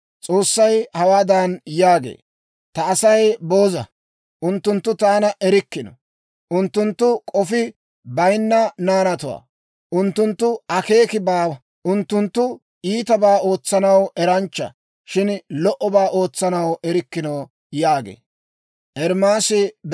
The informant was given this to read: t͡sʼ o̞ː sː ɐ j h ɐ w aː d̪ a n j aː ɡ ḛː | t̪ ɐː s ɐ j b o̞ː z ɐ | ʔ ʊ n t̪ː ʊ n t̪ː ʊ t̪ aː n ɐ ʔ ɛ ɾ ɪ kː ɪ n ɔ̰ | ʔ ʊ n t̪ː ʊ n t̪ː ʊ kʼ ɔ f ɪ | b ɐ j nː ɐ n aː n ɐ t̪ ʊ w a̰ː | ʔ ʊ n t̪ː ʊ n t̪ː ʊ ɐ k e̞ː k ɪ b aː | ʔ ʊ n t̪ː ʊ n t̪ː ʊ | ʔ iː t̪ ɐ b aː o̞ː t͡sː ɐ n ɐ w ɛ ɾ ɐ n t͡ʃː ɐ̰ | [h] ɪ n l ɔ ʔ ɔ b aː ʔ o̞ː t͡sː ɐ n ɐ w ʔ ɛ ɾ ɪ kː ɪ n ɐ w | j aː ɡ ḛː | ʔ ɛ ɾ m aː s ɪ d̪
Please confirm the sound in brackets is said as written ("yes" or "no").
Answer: no